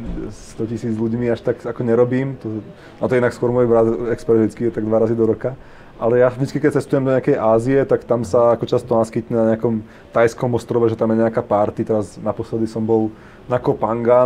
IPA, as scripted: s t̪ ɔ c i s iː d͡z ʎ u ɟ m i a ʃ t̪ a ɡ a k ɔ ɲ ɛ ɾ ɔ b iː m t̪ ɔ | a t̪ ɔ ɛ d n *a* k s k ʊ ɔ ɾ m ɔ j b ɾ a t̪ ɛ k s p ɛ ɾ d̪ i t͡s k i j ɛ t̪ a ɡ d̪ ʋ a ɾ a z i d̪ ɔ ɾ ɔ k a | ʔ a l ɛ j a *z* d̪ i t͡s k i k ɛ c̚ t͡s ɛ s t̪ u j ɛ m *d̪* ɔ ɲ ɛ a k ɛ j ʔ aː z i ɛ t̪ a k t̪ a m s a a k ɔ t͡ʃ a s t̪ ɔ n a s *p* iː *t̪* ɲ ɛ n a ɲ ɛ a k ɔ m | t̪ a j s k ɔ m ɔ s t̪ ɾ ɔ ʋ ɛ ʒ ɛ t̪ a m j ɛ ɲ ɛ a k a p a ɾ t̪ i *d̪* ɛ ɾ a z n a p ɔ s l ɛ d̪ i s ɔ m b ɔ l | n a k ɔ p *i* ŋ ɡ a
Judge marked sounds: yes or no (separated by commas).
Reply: yes, no, yes, no, yes, no, no